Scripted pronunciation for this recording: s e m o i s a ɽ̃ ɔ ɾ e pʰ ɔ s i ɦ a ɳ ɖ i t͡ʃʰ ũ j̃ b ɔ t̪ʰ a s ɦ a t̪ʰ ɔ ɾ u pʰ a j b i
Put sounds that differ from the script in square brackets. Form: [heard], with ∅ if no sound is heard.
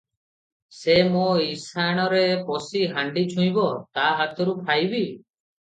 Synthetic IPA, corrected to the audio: s e m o i s a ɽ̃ ɔ ɾ e [p] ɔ s i ɦ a ɳ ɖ i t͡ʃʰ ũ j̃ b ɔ [t̪] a [∅] ɦ a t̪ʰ ɔ ɾ u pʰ a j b i